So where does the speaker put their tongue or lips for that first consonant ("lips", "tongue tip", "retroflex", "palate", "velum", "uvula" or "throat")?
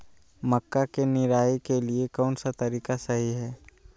lips